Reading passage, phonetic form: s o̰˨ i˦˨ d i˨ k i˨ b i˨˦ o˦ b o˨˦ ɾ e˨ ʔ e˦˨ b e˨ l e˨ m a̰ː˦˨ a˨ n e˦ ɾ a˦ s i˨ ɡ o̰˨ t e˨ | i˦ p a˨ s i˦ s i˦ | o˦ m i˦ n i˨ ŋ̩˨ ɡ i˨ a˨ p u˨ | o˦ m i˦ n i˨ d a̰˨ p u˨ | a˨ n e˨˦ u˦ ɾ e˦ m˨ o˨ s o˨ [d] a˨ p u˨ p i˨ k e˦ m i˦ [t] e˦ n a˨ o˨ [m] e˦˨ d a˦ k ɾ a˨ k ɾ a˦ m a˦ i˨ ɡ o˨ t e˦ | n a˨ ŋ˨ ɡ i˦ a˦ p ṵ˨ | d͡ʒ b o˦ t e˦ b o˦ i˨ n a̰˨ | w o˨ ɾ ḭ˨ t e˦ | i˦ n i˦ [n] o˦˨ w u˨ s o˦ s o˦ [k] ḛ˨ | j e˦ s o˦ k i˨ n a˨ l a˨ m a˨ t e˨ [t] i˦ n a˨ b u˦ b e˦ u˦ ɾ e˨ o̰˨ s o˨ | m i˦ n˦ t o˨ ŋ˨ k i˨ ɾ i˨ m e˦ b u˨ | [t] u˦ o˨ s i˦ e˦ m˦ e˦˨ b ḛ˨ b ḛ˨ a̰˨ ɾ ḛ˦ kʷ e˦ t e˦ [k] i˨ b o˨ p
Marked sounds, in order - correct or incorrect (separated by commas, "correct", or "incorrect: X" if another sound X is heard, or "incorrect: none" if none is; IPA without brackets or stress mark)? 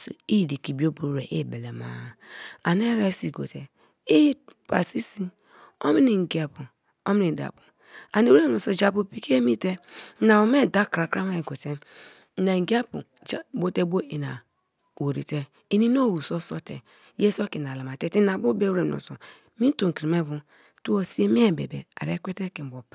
incorrect: d͡ʒ, correct, correct, correct, incorrect: t, correct, correct, correct